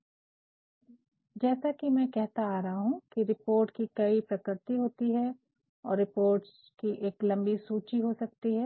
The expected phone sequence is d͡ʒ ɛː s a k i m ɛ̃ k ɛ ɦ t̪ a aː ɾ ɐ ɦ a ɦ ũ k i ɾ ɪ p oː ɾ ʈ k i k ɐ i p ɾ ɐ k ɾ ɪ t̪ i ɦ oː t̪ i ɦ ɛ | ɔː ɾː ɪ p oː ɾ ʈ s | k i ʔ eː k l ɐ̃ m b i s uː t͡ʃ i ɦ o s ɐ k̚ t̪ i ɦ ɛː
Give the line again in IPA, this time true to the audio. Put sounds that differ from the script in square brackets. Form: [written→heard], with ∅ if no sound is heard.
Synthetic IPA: d͡ʒ ɛː s a k i m ɛ̃ k ɛ ɦ t̪ a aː ɾ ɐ ɦ a ɦ ũ k i ɾ ɪ p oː ɾ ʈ k i k ɐ i p ɾ ɐ k ɾ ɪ t̪ i ɦ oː t̪ i ɦ ɛ | ɔː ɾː ɪ p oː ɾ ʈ s | k i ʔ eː k l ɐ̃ m b i s uː t͡ʃ i ɦ o s ɐ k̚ t̪ i ɦ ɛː